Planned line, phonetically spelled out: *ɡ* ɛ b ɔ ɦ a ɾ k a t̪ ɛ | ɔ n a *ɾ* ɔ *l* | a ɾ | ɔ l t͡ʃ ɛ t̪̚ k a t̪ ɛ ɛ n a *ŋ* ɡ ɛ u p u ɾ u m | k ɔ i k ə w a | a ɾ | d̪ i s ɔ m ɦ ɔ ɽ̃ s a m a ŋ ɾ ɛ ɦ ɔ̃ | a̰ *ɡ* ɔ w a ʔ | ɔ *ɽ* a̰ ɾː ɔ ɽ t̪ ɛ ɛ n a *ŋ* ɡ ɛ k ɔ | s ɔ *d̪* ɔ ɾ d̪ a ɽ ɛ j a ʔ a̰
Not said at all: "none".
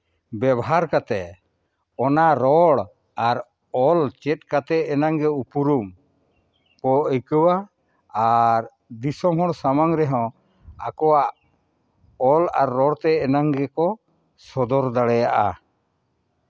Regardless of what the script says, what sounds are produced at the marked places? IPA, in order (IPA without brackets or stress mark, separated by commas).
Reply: b, ɾ, ɽ, ŋ, k, l, ŋ, d̪